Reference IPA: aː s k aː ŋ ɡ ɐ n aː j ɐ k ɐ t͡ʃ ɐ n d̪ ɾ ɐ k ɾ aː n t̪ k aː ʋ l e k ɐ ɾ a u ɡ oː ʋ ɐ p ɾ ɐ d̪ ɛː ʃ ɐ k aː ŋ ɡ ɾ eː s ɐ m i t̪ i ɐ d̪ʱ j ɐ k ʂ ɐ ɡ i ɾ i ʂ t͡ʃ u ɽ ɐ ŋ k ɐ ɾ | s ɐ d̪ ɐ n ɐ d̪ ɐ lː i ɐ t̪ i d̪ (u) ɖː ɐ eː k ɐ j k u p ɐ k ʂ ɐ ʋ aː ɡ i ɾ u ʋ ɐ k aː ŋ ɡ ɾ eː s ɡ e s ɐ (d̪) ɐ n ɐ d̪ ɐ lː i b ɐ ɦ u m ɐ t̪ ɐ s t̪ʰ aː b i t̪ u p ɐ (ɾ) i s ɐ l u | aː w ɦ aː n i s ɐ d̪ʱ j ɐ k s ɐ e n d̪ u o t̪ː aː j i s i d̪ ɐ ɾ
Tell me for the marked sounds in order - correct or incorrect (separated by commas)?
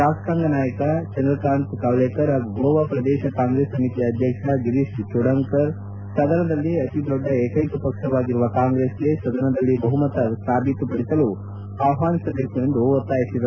incorrect, correct, incorrect